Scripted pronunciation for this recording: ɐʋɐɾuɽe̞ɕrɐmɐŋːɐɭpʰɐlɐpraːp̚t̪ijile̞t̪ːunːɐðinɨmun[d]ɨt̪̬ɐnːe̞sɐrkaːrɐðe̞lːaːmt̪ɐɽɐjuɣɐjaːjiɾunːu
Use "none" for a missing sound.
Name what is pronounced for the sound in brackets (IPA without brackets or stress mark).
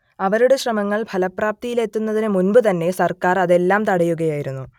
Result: b